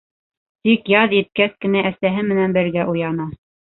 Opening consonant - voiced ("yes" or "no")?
no